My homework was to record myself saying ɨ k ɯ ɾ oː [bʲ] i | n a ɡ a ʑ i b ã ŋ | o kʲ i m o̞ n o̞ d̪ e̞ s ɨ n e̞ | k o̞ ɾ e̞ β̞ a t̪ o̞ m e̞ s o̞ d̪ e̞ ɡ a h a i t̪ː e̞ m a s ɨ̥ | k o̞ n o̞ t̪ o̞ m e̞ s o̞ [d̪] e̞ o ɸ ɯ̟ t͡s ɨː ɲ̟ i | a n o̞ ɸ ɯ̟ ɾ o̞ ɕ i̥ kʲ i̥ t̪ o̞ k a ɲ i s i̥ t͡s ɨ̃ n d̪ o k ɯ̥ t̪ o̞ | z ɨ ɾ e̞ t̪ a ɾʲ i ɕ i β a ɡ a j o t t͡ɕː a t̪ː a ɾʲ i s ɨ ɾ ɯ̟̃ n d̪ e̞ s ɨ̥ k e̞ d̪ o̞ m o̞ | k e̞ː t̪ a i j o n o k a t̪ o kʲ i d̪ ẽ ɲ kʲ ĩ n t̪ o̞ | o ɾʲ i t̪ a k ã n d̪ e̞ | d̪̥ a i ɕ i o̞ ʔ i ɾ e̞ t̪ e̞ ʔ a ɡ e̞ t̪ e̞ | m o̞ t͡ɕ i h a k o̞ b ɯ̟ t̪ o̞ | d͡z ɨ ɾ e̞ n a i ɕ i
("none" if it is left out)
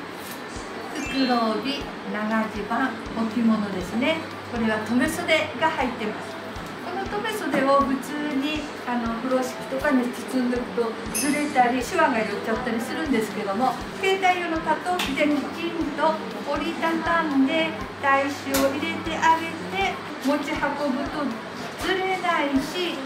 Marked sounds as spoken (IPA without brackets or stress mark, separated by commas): bʲ, d̪